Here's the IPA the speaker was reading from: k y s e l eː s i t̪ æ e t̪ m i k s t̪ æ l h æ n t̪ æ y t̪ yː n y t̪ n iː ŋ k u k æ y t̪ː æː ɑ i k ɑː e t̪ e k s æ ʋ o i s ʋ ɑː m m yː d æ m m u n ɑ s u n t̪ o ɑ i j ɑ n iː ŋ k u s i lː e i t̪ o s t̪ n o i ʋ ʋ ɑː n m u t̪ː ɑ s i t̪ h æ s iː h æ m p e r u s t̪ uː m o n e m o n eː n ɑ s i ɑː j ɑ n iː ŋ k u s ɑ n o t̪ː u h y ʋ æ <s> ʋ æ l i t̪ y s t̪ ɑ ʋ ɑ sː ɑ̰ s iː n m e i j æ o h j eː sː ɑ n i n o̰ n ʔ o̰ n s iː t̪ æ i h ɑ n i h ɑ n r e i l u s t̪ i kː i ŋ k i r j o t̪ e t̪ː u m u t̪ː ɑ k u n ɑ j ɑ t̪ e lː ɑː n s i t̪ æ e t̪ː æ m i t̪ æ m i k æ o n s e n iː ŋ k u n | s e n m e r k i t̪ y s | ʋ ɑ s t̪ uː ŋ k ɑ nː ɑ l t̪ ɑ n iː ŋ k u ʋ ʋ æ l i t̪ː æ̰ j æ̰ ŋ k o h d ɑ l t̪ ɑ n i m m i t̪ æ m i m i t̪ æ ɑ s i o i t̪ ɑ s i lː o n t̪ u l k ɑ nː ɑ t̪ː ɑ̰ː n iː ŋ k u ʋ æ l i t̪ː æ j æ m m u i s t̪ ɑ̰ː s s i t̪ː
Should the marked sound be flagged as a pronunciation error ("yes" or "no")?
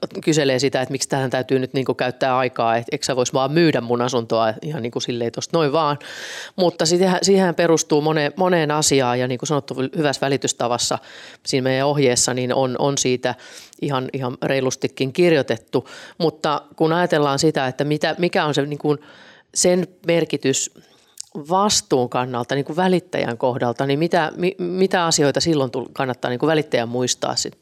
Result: no